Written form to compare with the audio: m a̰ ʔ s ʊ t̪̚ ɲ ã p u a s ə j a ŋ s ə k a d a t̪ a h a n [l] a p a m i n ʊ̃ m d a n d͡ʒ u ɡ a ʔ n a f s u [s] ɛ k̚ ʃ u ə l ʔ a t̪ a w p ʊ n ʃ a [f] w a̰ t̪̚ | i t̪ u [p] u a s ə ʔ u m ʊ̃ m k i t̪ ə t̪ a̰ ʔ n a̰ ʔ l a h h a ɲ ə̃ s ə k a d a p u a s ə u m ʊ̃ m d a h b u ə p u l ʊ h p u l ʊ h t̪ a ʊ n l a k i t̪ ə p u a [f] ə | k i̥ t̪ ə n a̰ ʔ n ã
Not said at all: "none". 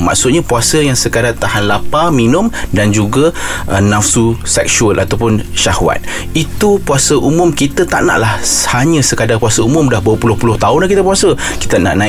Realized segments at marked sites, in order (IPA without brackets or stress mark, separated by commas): l, s, h, p, s